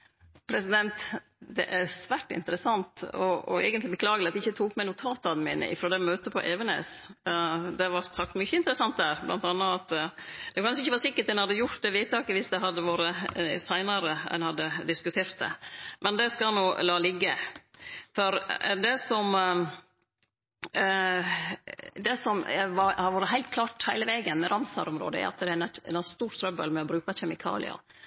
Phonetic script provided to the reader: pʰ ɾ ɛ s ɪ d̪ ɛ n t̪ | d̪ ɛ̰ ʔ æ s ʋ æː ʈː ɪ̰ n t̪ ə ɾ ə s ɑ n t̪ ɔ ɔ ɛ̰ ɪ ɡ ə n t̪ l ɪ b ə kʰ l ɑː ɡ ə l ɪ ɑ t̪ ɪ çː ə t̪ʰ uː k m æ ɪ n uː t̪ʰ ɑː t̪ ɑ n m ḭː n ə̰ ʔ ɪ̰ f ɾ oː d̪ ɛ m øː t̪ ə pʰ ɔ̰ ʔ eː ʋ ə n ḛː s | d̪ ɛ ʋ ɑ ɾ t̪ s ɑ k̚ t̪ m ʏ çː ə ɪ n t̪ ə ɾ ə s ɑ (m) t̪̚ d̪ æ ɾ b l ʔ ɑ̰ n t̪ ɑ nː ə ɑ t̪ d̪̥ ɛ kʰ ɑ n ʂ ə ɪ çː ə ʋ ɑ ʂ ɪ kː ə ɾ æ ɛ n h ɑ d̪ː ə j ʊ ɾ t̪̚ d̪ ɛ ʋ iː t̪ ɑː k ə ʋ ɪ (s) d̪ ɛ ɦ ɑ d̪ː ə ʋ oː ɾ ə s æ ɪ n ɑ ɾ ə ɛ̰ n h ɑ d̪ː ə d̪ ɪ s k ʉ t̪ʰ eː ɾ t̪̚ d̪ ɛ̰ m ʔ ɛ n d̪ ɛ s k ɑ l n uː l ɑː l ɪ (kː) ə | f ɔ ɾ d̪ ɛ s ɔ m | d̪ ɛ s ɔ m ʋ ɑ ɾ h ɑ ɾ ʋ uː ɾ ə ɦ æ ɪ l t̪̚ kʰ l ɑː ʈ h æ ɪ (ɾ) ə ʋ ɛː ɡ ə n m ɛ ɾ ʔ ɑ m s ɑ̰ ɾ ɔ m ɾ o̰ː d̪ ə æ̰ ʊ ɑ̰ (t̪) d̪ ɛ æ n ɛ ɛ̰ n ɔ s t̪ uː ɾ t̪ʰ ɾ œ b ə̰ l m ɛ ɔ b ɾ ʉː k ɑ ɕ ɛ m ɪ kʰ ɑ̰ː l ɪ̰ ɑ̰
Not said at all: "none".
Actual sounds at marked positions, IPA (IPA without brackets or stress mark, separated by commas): n, s, ɡː, l, t̪